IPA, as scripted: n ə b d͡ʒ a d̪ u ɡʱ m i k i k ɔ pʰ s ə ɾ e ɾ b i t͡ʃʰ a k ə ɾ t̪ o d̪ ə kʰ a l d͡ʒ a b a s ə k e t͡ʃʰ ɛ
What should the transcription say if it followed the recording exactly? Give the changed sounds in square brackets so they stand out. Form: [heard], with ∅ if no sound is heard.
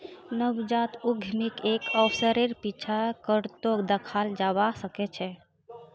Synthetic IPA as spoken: n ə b d͡ʒ a [t̪] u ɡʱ m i k [e] k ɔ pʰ s ə ɾ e ɾ [p] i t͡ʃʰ a k ə ɾ t̪ o d̪ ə kʰ a l d͡ʒ a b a s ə k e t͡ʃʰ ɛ